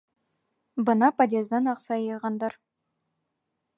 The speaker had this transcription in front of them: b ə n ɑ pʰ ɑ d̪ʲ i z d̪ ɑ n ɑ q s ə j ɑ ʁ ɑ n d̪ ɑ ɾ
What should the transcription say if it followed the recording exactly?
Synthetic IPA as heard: b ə n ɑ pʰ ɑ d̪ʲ e z d̪ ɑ n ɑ q s ɑ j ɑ ʁ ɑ n d̪ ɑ ɾ